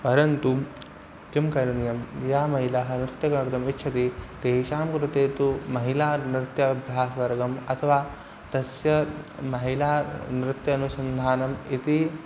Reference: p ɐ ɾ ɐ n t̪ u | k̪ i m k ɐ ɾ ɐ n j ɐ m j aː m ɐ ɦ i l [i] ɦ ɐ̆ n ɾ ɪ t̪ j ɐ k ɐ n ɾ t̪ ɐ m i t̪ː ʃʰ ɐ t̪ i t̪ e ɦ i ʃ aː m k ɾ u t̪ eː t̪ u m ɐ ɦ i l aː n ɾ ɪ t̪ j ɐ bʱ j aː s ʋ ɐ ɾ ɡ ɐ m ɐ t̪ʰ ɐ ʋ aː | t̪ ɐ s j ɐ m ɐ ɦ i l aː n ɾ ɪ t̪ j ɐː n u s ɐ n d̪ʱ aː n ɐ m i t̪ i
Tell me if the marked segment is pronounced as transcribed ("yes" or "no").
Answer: no